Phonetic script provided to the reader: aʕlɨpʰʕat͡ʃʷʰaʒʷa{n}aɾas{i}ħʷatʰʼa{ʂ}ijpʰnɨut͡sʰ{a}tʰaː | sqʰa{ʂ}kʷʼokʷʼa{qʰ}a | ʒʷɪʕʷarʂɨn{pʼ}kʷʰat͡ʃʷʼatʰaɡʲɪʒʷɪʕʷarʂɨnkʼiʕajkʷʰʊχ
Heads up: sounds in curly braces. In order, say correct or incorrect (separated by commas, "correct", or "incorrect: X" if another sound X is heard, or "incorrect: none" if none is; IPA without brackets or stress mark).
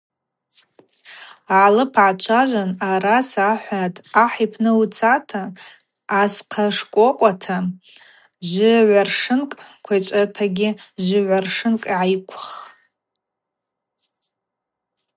correct, incorrect: a, incorrect: ħ, correct, correct, incorrect: tʰ, incorrect: kʼ